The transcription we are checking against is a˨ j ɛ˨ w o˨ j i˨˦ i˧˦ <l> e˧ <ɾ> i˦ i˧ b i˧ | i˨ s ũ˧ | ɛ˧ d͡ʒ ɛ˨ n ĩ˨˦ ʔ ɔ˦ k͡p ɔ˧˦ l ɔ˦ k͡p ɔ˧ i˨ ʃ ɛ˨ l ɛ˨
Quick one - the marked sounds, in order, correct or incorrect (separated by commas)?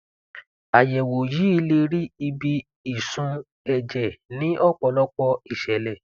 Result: correct, correct